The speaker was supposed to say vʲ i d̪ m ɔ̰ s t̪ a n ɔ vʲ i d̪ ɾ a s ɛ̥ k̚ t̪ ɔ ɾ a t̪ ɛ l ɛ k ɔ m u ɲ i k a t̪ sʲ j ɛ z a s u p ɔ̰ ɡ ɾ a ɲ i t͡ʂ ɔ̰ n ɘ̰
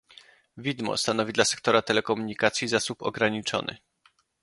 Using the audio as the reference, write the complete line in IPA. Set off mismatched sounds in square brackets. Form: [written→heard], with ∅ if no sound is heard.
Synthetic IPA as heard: vʲ i d̪ m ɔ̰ s t̪ a n ɔ vʲ i d̪ [ɾ→l] a s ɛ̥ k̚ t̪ ɔ ɾ a t̪ ɛ l ɛ k ɔ m u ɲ i k a t̪ sʲ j [ɛ→i] z a s u p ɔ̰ ɡ ɾ a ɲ i t͡ʂ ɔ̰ n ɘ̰